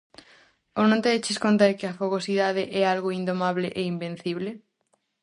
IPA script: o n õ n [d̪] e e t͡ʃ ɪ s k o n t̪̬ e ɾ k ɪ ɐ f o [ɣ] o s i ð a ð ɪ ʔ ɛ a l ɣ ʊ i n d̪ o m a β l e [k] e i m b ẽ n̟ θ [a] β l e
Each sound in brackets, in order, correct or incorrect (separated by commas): incorrect, correct, incorrect, incorrect